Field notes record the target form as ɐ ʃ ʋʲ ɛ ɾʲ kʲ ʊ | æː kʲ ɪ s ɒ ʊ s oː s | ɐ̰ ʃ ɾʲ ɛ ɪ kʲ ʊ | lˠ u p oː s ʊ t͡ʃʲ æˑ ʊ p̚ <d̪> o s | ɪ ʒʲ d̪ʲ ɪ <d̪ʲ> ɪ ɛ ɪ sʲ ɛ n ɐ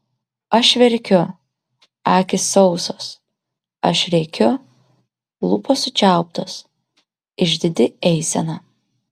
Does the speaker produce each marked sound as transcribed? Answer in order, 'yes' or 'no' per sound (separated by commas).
no, yes